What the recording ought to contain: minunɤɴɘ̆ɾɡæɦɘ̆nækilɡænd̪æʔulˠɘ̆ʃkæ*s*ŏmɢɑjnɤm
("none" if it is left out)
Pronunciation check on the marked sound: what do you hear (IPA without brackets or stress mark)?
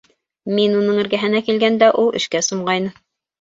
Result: s